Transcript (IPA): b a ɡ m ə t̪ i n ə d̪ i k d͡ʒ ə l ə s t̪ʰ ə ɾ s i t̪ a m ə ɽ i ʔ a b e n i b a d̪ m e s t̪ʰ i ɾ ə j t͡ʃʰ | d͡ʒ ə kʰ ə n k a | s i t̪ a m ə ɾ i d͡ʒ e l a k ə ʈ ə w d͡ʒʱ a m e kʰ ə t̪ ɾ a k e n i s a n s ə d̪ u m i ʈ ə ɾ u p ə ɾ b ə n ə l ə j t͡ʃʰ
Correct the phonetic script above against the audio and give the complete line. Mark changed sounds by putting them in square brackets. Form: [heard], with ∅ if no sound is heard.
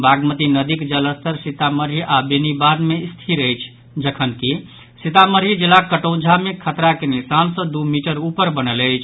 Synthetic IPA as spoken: b a ɡ m ə t̪ i n ə d̪ i k d͡ʒ ə l ə s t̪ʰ ə ɾ s i t̪ a m ə [ɾ] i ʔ a b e n i b a d̪ m e s t̪ʰ i ɾ ə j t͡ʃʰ | d͡ʒ ə kʰ ə n k [i] | s i t̪ a m ə ɾ i d͡ʒ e l a k ə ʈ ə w d͡ʒʱ a m e kʰ ə t̪ ɾ a k e n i s a n s ə d̪ u m i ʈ ə ɾ u p ə ɾ b ə n ə l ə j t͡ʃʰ